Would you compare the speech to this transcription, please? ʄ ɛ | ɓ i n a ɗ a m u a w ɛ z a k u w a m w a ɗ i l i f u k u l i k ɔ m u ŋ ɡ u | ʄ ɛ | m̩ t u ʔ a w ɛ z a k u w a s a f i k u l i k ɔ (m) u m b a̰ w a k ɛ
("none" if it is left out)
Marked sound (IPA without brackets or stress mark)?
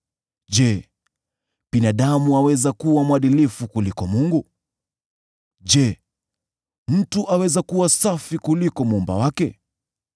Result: m